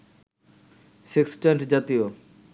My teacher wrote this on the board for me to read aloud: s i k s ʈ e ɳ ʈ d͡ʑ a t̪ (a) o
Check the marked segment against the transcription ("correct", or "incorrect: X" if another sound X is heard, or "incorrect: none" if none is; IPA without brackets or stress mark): incorrect: i